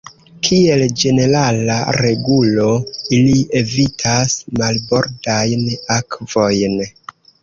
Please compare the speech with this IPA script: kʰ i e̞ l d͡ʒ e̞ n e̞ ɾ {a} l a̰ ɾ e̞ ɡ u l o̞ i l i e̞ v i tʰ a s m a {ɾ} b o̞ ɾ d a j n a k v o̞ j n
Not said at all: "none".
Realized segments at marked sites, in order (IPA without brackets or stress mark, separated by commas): a, l